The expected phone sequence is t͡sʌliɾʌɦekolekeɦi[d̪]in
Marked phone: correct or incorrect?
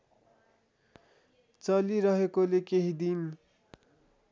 correct